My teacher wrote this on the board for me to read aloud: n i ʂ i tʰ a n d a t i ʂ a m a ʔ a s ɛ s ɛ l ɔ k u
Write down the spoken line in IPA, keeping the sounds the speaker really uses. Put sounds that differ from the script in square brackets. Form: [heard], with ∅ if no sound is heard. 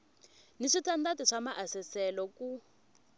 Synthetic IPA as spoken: n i ʂ i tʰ a n d a t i ʂ a m a ʔ a s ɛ s ɛ l ɔ k u